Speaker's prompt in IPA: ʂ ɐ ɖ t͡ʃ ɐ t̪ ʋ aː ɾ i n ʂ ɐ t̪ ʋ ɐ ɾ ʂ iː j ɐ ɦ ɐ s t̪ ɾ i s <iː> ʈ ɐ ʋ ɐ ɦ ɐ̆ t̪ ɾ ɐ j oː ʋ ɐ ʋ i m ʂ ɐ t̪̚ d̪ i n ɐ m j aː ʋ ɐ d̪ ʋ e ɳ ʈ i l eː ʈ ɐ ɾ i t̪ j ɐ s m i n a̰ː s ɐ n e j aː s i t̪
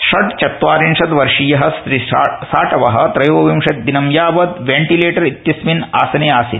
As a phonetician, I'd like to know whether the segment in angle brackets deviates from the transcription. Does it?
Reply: yes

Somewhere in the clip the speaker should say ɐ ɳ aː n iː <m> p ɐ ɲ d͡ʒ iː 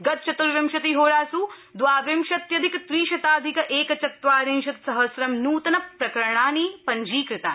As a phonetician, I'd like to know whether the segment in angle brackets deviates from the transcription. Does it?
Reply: yes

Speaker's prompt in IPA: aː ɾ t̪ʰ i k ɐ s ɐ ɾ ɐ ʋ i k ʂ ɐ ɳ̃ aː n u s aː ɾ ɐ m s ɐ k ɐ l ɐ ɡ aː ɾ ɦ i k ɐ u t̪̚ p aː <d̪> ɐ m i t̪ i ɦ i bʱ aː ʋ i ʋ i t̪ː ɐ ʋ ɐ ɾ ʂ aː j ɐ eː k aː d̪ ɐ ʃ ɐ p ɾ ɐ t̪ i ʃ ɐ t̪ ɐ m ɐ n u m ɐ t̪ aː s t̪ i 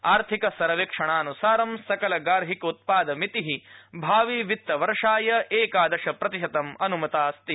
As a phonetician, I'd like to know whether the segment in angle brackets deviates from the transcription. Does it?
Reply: no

